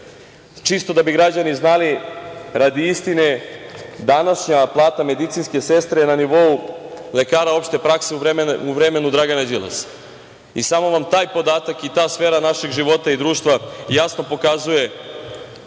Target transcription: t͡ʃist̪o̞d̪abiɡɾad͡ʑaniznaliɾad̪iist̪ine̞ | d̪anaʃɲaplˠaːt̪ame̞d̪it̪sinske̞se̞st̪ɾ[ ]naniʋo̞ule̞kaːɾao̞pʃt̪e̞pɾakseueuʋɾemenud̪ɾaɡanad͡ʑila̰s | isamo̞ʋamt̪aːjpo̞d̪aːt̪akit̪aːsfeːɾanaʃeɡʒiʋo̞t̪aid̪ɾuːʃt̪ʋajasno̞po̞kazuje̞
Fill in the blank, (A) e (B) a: A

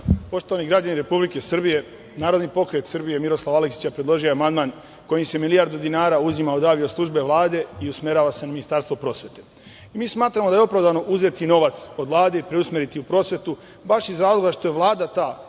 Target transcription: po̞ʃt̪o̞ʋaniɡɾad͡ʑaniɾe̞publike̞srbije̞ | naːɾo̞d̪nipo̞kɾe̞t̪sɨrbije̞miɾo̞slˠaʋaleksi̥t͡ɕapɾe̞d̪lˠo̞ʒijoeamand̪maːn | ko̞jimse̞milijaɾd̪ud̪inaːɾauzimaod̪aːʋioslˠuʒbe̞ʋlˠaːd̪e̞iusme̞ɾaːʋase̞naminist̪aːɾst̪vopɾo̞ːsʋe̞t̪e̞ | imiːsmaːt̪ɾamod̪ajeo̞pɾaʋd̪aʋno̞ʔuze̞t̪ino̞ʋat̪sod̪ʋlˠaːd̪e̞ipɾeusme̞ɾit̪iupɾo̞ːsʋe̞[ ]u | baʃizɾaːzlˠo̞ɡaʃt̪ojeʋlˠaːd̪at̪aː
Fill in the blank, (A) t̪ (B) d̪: A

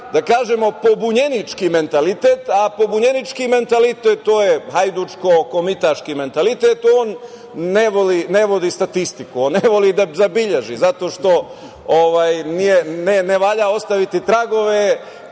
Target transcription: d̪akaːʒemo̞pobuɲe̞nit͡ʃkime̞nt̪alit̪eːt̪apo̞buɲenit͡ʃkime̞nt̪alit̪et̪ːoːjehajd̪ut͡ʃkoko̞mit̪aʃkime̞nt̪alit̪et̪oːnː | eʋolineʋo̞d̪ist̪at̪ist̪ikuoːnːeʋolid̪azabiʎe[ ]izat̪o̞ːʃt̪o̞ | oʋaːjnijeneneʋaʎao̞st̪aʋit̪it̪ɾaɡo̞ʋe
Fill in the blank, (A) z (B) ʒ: B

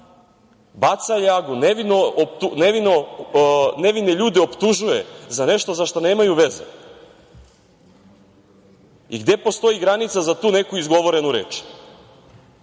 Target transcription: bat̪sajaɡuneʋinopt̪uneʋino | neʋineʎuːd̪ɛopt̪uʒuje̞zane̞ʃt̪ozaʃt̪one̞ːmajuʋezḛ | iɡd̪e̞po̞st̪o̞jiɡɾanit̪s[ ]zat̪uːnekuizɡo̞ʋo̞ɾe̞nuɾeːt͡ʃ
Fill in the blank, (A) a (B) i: A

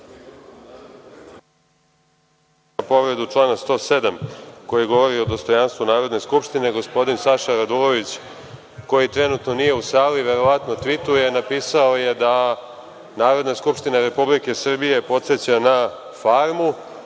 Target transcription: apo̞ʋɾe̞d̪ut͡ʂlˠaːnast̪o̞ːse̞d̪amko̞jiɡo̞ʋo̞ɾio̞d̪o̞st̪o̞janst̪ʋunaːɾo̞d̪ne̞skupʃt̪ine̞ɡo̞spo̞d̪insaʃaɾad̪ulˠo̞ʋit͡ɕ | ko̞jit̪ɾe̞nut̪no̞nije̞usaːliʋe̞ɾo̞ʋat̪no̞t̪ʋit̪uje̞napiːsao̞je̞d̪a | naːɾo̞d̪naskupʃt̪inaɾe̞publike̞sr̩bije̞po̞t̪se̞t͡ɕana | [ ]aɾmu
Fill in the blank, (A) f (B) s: A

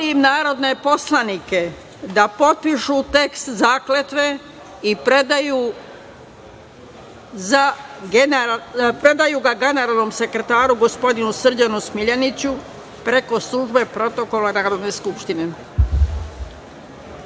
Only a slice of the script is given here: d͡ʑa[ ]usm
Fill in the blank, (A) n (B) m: A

